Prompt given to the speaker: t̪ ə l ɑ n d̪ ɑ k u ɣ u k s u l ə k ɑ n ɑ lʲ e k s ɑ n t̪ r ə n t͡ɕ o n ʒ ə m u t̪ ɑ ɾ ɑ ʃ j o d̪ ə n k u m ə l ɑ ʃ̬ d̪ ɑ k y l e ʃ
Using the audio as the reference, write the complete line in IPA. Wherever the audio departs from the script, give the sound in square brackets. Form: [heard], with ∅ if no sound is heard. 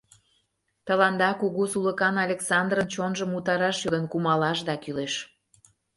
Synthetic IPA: t̪ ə l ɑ n d̪ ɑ k u ɣ u [∅] s u l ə k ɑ n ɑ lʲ e k s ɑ n [d̪] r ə n t͡ɕ o n ʒ ə m u t̪ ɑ ɾ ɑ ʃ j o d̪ ə n k u m [ɑ] l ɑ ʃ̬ d̪ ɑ k y l e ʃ